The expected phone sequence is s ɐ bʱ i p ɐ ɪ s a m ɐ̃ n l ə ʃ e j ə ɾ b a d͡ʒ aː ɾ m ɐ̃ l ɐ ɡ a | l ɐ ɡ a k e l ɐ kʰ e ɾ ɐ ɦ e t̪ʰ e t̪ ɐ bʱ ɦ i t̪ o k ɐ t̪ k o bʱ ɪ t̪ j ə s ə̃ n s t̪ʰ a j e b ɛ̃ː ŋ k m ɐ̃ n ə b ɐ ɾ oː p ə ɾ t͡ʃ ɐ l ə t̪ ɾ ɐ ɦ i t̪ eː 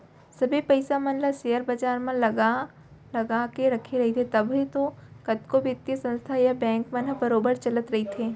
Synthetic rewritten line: s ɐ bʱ i p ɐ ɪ s a m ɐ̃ n l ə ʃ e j ə ɾ b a d͡ʒ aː ɾ m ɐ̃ l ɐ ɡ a | l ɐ ɡ a k e ɾ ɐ kʰ e ɾ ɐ ɦ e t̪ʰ e t̪ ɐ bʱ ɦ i t̪ o k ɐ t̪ k o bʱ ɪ t̪ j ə s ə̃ n s t̪ʰ a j a b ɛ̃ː ŋ k m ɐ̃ n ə b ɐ ɾ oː b ə ɾ t͡ʃ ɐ l ə t̪ ɾ ɐ ɦ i t̪ʰ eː

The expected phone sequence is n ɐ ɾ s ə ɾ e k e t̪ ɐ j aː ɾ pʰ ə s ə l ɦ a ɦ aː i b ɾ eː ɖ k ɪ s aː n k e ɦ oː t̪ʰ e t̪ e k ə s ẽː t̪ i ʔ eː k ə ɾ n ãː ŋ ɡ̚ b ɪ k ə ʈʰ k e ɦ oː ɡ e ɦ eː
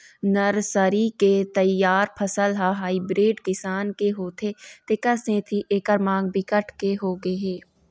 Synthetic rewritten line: n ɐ ɾ s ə ɾ i k e t̪ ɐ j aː ɾ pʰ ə s ə l ɦ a ɦ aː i b ɾ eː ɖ k ɪ s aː n k e ɦ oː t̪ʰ e t̪ e k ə s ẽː t̪ʰ i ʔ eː k ə ɾ m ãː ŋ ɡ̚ b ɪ k ə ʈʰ k e ɦ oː ɡ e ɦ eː

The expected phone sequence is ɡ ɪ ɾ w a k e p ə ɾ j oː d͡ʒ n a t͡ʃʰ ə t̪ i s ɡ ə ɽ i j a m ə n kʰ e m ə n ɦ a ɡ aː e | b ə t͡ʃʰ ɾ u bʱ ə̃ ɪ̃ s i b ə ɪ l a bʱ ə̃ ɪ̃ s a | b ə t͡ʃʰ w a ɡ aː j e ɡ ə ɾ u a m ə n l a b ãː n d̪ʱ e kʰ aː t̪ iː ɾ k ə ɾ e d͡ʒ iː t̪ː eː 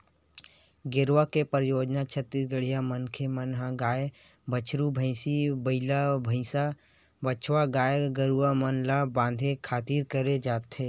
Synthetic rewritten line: ɡ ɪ ɾ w a k e p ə ɾ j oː d͡ʒ n a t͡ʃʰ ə t̪ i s ɡ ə ɽ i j a m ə n kʰ e m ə n ɦ a ɡ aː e | b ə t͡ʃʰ ɾ u bʱ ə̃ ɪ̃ s i b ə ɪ l a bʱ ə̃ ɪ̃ s a | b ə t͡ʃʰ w a ɡ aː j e ɡ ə ɾ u a m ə n l a b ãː n d̪ʱ e kʰ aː t̪ iː ɾ k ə ɾ e d͡ʒ aː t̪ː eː

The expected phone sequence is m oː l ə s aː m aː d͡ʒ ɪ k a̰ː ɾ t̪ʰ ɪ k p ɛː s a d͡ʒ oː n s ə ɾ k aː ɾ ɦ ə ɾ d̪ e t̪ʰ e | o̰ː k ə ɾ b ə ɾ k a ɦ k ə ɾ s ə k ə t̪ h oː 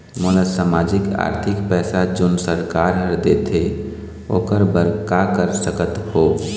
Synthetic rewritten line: m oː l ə s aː m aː d͡ʒ ɪ k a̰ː ɾ t̪ʰ ɪ k p ɛː s a d͡ʒ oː n s ə ɾ k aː ɾ ɦ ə ɾ d̪ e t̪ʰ e | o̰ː k ə ɾ b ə ɾ k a k ə ɾ s ə k ə t̪ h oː

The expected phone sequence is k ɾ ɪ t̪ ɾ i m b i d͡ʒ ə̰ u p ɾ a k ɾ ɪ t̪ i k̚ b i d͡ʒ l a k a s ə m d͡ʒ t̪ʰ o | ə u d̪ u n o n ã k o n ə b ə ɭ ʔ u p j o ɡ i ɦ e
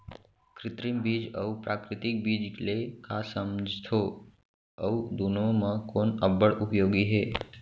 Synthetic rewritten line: k ɾ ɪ t̪ ɾ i m b i d͡ʒ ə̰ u p ɾ a k ɾ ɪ t̪ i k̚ b i d͡ʒ l e k a s ə m d͡ʒ t̪ʰ o | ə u d̪ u n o m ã k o n ə b ə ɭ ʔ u p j o ɡ i ɦ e

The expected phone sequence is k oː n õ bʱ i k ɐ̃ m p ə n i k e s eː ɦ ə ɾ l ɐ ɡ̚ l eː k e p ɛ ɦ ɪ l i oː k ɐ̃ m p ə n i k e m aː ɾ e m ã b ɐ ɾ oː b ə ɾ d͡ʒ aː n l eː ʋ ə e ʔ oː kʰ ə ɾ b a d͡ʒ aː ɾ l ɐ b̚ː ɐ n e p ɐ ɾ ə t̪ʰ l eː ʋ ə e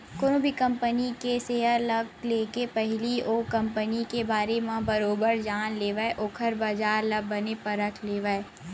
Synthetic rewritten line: k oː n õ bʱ i k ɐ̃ m p ə n i k e s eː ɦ ə ɾ l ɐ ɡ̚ l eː k e p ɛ ɦ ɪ l i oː k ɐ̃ m p ə n i k e b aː ɾ e m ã b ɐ ɾ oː b ə ɾ d͡ʒ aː n l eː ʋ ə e ʔ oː kʰ ə ɾ b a d͡ʒ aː ɾ l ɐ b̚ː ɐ n e p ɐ ɾ ə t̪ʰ l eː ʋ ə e

